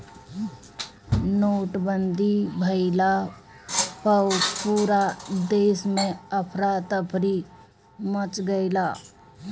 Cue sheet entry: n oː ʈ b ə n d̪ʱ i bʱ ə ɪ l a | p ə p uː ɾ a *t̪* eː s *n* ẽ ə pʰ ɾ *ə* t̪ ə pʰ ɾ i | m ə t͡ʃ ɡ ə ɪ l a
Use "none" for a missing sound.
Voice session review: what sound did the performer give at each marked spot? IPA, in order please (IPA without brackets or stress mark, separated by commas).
d̪, m, a